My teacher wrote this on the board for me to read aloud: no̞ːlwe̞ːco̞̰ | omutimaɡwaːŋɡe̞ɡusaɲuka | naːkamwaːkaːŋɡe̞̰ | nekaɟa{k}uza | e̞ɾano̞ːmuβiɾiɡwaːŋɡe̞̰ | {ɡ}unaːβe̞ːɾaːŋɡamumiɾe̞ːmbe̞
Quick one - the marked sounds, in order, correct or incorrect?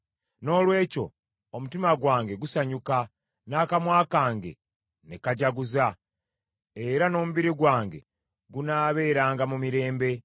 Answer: incorrect: ɡ, correct

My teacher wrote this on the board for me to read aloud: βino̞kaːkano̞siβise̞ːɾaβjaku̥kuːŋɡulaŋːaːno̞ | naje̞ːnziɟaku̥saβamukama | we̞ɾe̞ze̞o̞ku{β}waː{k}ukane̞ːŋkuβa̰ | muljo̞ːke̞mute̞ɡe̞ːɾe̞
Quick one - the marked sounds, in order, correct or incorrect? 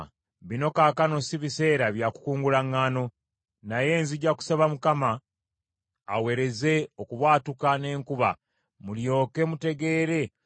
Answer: correct, incorrect: t

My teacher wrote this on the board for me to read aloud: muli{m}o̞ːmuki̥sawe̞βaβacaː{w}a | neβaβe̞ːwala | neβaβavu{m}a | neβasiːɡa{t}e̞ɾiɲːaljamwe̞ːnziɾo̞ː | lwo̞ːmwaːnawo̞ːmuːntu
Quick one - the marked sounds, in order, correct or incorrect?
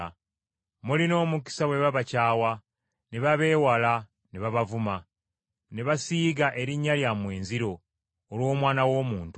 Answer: incorrect: n, correct, correct, incorrect: ʔ

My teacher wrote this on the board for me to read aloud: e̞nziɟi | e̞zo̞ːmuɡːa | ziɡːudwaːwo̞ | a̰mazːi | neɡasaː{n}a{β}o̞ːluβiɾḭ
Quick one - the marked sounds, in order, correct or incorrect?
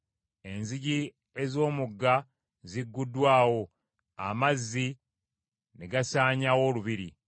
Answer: incorrect: ɲ, incorrect: w

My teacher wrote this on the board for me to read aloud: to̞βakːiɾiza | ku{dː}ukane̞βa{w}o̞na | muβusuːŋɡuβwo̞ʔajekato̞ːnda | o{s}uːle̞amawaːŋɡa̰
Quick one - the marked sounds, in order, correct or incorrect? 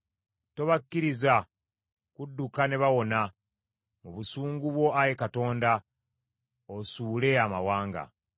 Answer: correct, correct, correct

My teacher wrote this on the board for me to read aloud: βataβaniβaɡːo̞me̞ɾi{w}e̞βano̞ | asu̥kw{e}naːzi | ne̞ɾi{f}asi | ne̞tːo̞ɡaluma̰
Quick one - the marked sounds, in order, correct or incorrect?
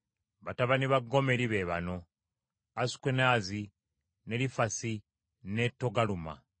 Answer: incorrect: β, correct, correct

